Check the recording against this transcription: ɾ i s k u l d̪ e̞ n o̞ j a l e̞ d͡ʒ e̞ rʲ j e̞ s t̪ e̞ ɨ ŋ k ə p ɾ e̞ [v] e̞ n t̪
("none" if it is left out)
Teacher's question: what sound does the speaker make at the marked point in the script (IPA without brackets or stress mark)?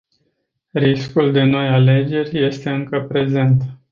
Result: z